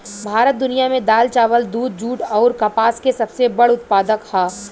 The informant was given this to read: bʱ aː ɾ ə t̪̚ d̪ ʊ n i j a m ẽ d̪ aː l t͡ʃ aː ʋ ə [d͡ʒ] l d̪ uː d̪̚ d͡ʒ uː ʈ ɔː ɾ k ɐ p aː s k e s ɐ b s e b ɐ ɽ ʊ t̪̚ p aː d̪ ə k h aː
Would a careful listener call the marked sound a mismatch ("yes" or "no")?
yes